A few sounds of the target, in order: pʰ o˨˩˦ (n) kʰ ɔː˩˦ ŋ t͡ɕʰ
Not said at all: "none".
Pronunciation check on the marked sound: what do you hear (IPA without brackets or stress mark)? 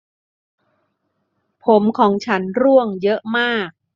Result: m